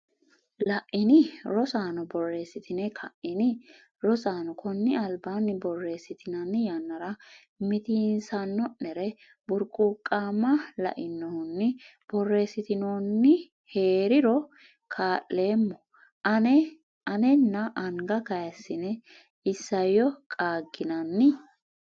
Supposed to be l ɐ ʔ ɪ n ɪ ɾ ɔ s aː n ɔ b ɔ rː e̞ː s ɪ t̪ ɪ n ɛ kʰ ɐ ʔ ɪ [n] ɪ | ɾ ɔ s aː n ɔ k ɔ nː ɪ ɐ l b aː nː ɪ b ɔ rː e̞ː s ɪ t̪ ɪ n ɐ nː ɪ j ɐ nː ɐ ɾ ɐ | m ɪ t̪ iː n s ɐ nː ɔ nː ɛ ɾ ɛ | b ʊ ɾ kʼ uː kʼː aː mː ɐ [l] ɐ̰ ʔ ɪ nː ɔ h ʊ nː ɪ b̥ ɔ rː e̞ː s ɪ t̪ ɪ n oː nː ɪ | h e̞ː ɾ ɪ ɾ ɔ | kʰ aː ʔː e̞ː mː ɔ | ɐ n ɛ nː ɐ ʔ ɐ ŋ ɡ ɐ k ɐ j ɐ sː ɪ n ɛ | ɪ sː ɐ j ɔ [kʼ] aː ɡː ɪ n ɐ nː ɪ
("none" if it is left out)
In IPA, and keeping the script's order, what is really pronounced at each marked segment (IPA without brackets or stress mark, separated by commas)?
n, l, kʼ